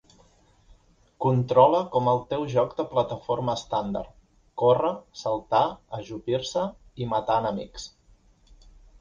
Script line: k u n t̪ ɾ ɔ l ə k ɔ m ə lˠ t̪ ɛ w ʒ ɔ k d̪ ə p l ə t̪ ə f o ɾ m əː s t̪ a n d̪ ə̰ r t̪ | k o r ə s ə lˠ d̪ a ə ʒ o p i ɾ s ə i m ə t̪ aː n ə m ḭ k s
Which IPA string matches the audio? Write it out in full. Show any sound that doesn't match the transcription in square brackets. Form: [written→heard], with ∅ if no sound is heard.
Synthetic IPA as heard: k u n t̪ ɾ ɔ l ə k ɔ m ə lˠ t̪ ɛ w ʒ ɔ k d̪ ə p l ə t̪ ə f o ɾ m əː s t̪ a n d̪ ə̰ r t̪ | k o r ə s ə lˠ [d̪→t̪] a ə ʒ [o→u] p i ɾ s ə i m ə t̪ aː n ə m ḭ k s